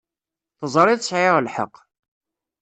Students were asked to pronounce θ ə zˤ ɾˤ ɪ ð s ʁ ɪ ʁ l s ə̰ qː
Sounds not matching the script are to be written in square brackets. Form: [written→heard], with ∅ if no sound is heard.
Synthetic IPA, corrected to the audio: θ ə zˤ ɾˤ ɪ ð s [ʁ→ʕ] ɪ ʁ l [s→ħ] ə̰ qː